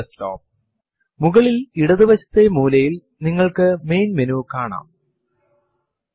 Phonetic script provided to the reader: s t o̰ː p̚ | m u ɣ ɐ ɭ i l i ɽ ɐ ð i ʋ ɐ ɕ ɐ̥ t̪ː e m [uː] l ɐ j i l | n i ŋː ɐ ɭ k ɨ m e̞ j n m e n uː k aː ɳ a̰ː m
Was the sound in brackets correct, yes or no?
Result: yes